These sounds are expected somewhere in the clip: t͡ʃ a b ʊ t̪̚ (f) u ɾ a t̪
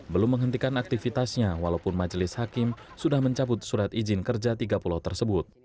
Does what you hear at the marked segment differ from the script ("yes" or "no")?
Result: yes